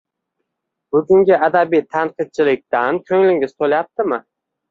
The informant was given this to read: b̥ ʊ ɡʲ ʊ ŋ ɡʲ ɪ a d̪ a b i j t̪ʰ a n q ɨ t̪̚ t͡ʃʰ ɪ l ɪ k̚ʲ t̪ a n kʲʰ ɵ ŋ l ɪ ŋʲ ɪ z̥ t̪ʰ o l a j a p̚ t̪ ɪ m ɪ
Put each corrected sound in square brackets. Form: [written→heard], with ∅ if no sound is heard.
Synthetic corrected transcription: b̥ ʊ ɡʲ ʊ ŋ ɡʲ ɪ a d̪ a b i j t̪ʰ a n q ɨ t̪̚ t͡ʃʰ ɪ l ɪ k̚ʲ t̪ a n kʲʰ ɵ ŋ l ɪ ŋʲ ɪ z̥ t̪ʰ o l a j a p̚ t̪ ɪ m ɪ